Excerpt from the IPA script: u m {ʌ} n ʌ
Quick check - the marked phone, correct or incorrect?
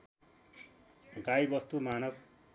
incorrect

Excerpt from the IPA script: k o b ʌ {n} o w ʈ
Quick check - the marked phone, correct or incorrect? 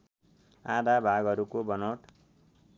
correct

